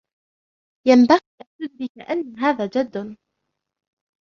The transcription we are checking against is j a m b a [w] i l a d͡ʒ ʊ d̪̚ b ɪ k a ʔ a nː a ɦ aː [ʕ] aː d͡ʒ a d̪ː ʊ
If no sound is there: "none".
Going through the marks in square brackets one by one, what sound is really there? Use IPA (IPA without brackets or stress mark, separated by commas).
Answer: ɣ, ð